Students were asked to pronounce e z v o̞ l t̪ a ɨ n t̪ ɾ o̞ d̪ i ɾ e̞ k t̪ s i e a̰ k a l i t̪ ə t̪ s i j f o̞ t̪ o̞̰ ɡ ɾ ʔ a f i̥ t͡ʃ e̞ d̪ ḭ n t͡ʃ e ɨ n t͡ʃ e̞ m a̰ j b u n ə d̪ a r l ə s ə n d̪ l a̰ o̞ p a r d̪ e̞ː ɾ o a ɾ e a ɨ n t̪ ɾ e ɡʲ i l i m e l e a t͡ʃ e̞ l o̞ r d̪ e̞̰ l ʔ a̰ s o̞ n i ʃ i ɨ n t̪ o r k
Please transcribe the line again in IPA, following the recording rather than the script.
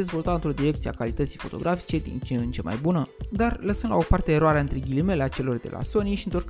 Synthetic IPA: e z v o̞ l t̪ a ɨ n t̪ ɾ o̞ d̪ i ɾ e̞ k t̪ s i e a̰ k a l i t̪ ə t̪ s i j f o̞ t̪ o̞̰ ɡ ɾ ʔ a f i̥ t͡ʃ e̞ d̪ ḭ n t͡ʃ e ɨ n t͡ʃ e̞ m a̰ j b u n ə d̪ a r l ə s ə n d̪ l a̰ o̞ p a r t̪ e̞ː ɾ o a ɾ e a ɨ n t̪ ɾ e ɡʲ i l i m e l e a t͡ʃ e̞ l o̞ r d̪ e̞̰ l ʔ a̰ s o̞ n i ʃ i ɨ n t̪ o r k